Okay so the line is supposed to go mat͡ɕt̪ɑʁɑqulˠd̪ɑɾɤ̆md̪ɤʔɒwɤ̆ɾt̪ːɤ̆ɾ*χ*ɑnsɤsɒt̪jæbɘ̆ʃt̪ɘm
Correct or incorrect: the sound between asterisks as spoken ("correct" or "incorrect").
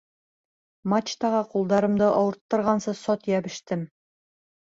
incorrect